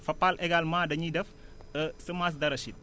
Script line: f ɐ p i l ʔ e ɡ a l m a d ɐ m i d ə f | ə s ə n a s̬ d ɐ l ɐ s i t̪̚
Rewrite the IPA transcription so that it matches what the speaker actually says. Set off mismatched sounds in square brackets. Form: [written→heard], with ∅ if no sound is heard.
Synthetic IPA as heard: f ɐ p [i→a] l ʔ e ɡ a l m a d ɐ [m→ɲ] i d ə f | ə s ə [n→m] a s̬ d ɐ [l→ɾ] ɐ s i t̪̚